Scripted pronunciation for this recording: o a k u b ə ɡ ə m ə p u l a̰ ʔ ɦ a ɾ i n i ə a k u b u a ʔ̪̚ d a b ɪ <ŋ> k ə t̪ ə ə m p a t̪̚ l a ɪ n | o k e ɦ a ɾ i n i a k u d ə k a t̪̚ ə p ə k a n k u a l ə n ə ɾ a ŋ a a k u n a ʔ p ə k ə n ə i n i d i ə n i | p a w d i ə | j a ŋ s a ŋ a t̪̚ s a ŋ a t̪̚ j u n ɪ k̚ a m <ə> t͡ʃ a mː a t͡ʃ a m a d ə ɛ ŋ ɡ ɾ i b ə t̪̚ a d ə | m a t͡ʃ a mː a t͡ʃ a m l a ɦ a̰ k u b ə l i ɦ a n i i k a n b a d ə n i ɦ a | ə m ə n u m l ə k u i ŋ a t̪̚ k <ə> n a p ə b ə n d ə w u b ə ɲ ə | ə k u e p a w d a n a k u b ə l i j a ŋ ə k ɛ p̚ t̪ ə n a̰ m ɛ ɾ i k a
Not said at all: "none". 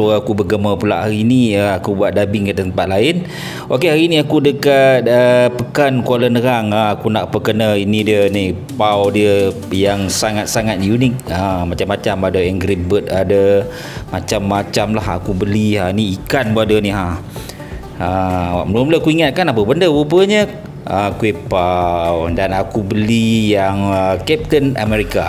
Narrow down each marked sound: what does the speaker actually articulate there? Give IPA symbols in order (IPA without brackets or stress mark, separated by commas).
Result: ŋ, a, a